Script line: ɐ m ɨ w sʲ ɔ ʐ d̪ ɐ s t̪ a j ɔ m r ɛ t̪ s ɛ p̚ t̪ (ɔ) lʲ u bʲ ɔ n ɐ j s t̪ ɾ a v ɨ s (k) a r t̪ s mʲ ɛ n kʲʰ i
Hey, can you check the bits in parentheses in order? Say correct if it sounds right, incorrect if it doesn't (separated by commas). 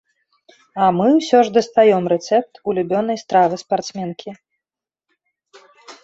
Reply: incorrect, incorrect